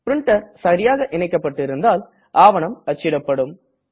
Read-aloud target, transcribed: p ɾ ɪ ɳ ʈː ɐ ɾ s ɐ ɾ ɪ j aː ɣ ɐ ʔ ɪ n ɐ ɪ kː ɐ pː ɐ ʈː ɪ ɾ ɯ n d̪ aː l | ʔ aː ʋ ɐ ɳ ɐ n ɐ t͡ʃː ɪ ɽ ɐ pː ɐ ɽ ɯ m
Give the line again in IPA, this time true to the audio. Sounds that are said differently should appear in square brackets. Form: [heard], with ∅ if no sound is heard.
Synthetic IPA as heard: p ɾ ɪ ɳ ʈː ɐ ɾ s ɐ ɾ ɪ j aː ɣ ɐ ʔ ɪ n ɐ ɪ kː ɐ pː ɐ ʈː ɪ ɾ ɯ n d̪ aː l | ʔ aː ʋ ɐ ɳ ɐ [m] ɐ t͡ʃː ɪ ɽ ɐ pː ɐ ɽ ɯ m

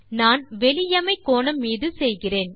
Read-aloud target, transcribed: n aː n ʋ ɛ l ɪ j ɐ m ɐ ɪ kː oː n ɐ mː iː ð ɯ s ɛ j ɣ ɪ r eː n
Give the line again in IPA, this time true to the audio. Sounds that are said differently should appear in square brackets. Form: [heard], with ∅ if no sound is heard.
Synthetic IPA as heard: n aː n ʋ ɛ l ɪ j ɐ m ɐ ɪ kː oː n ɐ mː iː ð ɯ s ɛ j ɣ ɪ r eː n

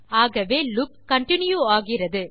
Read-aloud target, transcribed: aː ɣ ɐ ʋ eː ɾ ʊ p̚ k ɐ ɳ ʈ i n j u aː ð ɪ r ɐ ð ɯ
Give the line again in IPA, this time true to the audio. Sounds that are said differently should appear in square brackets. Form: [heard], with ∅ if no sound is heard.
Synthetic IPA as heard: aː ɣ ɐ ʋ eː [l] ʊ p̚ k ɐ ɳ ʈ [ɪ] n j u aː [ɣ] ɪ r ɐ ð ɯ

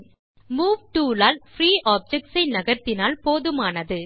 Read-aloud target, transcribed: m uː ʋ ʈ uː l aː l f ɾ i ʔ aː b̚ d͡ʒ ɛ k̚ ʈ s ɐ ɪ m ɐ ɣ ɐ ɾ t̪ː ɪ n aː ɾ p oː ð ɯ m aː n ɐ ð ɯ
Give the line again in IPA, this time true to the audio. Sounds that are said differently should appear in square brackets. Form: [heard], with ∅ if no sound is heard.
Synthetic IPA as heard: m uː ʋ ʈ uː l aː l f ɾ [iː] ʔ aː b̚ d͡ʒ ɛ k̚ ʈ s ɐ ɪ [n] ɐ ɣ ɐ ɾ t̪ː ɪ n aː [l] p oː ð ɯ m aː n ɐ ð ɯ

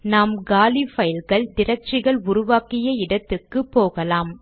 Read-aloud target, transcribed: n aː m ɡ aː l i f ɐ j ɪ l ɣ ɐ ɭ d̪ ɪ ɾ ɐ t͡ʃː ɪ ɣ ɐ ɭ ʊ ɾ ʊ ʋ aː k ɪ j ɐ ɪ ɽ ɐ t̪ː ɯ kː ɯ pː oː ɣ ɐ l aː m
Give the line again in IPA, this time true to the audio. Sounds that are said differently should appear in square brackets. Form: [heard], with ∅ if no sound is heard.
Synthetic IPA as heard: n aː m ɡ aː l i f ɐ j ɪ l ɣ ɐ ɭ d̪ ɪ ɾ ɐ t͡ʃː ɪ ɣ ɐ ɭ ʊ ɾ ʊ ʋ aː k ɪ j ɐ ɪ ɽ ɐ t̪ː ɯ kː ɯ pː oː ɣ ɐ l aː m

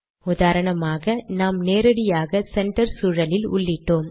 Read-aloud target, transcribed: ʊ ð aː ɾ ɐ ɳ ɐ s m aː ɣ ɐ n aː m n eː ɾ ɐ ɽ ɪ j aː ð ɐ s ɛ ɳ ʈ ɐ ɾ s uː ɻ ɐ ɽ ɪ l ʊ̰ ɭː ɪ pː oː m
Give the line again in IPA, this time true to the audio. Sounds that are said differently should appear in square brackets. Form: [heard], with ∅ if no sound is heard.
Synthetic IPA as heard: ʊ ð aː ɾ ɐ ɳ ɐ [∅] m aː ɣ ɐ n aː m n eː ɾ ɐ ɽ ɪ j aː [ɣ] ɐ s ɛ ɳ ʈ ɐ ɾ s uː ɻ ɐ [l] ɪ l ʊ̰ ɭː ɪ [ʈː] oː m

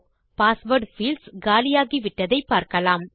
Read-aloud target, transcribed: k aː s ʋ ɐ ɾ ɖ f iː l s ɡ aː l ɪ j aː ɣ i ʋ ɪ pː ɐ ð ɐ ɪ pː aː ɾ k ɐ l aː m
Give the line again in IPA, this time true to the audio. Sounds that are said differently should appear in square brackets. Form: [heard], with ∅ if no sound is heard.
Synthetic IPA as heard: [p] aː s ʋ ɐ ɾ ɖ f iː l s ɡ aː l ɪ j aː ɣ i ʋ ɪ [ʈː] ɐ ð ɐ ɪ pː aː ɾ k ɐ l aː m

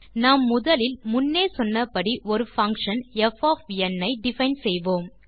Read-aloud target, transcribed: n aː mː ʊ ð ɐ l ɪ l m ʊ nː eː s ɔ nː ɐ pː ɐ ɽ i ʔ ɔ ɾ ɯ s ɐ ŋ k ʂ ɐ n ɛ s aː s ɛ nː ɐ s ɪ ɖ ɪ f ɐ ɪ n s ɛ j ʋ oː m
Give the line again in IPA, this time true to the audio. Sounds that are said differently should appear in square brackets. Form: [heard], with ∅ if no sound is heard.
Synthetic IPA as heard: n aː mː ʊ ð ɐ l ɪ l m ʊ nː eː s ɔ nː ɐ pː ɐ ɽ i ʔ ɔ ɾ ɯ [f] ɐ ŋ k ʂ ɐ n ɛ [f] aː [f] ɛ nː ɐ [∅] ɪ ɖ ɪ f ɐ ɪ n s ɛ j ʋ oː m

